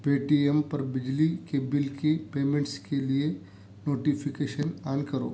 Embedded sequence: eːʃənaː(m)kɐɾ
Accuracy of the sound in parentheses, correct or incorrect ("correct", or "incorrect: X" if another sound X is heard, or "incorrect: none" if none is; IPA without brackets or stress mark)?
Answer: incorrect: n